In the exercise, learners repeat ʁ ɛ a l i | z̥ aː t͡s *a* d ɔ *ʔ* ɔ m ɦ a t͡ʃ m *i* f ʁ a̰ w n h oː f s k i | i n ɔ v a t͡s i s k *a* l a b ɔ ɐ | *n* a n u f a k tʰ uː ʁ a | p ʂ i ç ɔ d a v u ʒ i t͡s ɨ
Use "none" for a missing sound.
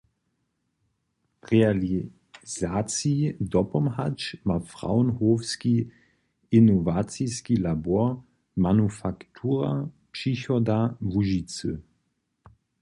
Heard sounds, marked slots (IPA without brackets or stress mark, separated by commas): i, p, a, i, m